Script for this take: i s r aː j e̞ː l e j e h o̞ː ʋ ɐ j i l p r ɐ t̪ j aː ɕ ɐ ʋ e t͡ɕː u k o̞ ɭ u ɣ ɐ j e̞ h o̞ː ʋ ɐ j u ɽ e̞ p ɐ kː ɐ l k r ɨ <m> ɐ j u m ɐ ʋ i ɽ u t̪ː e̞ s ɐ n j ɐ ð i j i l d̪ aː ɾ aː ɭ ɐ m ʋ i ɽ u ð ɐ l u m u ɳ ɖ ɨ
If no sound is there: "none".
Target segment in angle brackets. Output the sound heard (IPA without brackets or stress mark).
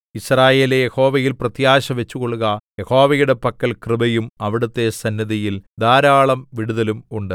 b